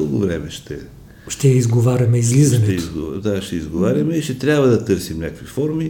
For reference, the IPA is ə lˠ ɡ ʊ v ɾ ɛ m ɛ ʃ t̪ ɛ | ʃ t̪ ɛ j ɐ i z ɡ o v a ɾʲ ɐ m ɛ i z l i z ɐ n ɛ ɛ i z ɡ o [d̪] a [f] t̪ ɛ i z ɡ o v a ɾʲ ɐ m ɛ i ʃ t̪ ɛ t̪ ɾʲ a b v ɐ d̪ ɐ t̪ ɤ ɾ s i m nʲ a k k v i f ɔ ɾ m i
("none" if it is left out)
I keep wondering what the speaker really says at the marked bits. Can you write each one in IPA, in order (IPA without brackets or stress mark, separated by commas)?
d̪, ʃ